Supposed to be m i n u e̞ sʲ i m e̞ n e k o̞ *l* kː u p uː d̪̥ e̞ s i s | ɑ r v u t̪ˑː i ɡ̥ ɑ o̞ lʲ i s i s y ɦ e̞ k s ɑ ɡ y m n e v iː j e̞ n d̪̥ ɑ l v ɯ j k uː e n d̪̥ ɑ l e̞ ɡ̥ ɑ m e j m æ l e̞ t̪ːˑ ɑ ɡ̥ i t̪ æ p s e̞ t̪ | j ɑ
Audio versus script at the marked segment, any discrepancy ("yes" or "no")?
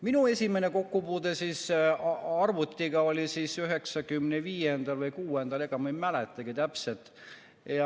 yes